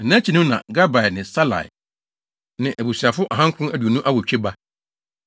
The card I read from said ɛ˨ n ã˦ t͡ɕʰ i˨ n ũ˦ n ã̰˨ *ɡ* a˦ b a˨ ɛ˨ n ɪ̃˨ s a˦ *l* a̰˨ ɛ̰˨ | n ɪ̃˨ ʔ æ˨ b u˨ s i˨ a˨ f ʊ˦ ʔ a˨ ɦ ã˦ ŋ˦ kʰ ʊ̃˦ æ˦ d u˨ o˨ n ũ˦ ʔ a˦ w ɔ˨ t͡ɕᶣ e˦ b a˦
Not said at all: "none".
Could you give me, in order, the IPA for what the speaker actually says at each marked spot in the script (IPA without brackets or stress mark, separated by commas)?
ɡ, l